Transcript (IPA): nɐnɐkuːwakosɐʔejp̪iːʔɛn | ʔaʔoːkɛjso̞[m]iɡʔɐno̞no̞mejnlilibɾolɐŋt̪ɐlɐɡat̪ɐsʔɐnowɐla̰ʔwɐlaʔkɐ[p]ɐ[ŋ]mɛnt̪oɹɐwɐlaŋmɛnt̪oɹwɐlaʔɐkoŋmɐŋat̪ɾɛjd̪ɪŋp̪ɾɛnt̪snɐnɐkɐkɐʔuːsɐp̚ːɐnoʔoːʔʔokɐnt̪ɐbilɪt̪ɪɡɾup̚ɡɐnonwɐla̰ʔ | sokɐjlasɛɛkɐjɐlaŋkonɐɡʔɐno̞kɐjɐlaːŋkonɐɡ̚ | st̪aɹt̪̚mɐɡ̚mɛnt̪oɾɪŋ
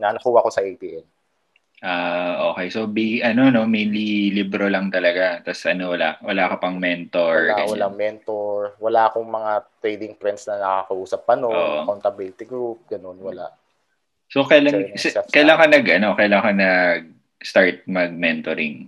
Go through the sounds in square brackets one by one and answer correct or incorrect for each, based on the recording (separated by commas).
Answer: incorrect, correct, correct